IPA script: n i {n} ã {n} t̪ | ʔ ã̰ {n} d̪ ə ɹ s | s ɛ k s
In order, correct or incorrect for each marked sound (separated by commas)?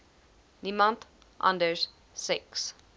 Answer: incorrect, correct, correct